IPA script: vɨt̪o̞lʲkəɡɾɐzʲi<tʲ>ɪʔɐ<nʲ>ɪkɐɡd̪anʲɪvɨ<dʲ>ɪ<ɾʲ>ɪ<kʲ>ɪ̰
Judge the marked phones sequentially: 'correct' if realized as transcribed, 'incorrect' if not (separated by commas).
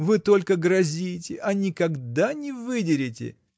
correct, correct, correct, correct, incorrect